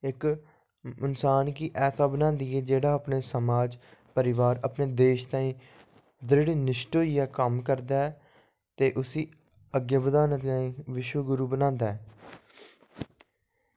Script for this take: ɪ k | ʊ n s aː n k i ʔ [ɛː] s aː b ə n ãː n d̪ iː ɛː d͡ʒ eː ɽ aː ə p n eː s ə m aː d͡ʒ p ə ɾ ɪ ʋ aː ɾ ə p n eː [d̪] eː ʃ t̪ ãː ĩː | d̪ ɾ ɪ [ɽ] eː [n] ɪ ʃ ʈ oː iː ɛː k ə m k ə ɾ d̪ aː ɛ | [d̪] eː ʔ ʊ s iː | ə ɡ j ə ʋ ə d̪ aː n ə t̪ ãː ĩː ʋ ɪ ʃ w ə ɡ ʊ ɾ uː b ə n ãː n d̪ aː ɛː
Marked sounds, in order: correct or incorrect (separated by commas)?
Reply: correct, correct, correct, correct, incorrect